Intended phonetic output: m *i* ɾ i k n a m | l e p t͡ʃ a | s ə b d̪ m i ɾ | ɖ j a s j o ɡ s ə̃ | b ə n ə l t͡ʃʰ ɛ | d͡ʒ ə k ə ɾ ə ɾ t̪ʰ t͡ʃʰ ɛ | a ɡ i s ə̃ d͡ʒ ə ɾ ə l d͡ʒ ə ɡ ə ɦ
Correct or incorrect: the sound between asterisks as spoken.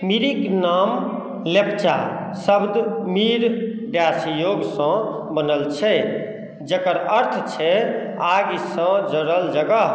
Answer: correct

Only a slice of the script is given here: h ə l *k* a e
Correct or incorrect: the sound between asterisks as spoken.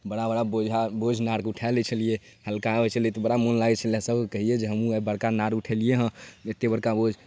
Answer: correct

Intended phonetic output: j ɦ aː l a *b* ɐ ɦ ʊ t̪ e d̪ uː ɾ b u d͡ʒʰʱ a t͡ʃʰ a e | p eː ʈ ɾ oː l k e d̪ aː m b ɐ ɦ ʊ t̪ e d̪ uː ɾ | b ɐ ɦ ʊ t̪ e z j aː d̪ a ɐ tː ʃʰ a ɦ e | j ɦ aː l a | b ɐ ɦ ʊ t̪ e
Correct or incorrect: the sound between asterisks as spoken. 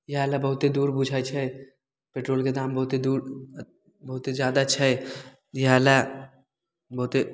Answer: correct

